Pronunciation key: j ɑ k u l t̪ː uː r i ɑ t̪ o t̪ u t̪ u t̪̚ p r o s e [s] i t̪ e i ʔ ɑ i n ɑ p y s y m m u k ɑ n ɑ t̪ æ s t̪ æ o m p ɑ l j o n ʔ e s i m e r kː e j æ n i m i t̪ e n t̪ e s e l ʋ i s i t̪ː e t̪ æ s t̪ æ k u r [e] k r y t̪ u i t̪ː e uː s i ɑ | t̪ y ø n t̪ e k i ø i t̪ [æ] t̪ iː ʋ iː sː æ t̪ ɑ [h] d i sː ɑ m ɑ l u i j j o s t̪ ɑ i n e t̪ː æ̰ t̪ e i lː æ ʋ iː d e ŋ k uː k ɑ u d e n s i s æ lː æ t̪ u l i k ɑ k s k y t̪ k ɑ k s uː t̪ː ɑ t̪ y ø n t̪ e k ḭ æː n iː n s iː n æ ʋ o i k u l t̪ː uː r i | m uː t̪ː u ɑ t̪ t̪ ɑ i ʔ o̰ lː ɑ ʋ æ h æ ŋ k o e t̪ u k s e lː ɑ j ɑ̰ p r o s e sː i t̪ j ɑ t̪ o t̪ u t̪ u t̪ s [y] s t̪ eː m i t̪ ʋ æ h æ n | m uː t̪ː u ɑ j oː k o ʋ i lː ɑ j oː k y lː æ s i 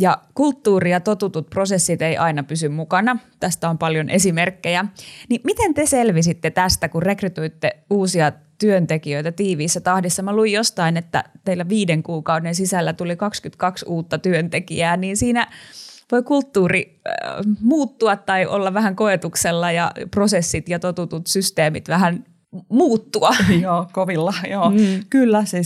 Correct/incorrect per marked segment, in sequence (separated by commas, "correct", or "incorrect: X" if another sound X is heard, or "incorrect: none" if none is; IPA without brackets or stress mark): incorrect: sː, correct, correct, correct, correct